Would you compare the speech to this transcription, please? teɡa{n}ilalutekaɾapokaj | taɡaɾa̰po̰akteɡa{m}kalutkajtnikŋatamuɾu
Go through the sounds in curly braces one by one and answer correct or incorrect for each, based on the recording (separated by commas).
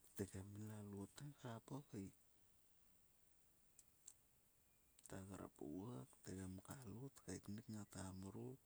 incorrect, correct